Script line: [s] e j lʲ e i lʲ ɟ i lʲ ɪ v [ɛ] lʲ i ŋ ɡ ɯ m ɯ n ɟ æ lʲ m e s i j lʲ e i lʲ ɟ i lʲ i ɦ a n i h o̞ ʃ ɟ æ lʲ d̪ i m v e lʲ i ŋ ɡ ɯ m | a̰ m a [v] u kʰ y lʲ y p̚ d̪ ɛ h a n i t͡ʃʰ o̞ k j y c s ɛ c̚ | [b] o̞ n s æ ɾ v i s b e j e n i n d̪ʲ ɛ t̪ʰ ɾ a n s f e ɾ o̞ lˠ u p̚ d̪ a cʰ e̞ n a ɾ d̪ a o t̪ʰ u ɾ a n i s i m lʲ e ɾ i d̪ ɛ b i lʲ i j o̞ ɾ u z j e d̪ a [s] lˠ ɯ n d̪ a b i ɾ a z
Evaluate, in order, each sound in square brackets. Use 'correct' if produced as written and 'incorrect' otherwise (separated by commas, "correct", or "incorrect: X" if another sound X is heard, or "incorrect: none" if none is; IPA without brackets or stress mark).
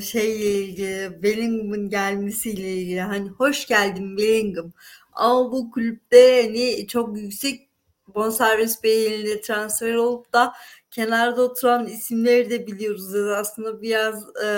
incorrect: ʃ, incorrect: e, incorrect: b, correct, correct